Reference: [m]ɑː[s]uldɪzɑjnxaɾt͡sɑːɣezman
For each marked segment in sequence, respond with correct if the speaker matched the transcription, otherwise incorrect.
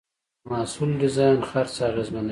correct, correct

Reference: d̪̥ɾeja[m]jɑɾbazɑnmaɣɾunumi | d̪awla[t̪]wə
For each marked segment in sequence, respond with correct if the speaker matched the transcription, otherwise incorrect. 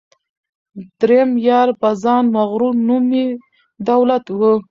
correct, correct

